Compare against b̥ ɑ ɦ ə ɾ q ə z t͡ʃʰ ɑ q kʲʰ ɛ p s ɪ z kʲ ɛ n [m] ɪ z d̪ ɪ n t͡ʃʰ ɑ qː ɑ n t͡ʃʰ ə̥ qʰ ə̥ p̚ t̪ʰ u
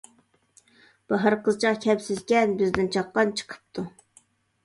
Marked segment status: incorrect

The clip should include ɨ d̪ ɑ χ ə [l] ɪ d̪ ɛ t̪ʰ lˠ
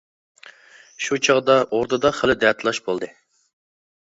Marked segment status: correct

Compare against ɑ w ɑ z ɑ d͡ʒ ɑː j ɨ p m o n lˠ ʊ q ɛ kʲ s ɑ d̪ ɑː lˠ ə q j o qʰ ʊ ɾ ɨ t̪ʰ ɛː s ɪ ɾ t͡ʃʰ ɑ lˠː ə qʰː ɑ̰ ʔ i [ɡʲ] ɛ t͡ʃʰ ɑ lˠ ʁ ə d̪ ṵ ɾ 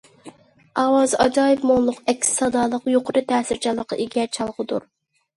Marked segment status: correct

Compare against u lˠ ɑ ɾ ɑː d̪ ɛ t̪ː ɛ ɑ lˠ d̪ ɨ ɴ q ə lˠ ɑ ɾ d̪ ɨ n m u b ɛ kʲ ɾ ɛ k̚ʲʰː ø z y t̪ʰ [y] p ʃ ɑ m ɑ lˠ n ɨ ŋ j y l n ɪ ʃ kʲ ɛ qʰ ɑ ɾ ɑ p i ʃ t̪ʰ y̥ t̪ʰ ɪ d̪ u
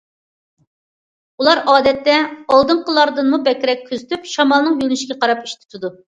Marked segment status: correct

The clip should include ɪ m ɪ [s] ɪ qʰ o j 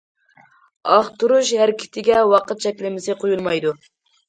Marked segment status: correct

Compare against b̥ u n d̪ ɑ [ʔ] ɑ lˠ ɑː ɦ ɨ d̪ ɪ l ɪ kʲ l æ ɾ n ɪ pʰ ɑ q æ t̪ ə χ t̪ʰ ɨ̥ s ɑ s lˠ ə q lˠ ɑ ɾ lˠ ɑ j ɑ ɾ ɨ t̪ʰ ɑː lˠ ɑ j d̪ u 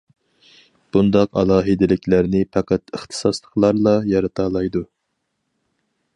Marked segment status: incorrect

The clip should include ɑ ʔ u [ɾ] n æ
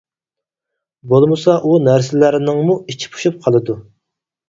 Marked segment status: incorrect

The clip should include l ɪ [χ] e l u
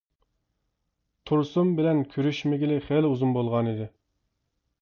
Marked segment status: correct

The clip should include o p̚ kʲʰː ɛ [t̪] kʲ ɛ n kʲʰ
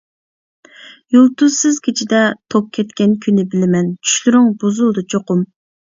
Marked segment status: correct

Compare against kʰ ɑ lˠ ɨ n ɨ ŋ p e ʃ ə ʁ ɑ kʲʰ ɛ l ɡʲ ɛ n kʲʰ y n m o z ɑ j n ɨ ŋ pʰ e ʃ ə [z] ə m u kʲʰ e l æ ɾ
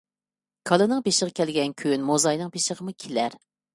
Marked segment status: incorrect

